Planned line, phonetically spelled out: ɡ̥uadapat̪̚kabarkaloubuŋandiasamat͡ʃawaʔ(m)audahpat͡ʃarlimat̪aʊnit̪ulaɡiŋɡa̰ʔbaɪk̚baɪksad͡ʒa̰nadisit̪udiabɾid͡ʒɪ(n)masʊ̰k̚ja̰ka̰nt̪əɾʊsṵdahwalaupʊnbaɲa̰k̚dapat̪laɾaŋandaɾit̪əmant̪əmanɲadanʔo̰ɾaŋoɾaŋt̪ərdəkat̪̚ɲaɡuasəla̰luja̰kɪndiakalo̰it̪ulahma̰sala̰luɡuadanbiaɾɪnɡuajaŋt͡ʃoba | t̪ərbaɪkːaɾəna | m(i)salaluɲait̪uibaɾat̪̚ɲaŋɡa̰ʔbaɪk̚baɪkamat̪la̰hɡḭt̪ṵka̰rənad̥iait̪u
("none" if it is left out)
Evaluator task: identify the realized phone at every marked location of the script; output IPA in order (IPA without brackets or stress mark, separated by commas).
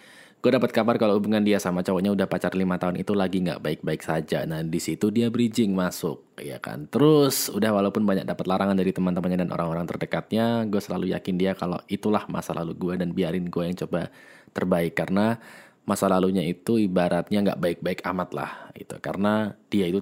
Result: ɲ, ŋ, a